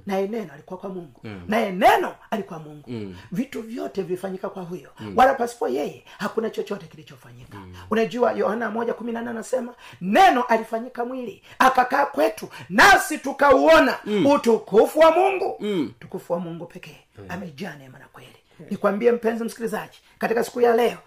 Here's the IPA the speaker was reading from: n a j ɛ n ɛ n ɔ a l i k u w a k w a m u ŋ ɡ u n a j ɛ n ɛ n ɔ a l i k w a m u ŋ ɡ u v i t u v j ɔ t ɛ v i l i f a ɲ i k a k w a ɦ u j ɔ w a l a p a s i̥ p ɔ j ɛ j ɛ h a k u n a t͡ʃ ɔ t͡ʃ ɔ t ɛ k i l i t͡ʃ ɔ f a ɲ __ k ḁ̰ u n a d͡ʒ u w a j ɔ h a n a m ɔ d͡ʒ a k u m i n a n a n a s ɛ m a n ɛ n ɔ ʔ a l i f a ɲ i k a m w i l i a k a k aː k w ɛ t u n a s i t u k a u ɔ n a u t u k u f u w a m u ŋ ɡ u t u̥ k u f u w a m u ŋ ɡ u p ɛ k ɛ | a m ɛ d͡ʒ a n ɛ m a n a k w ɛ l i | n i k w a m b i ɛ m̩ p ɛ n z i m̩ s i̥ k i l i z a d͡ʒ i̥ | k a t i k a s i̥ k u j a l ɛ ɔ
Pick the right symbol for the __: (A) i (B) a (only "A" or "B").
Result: A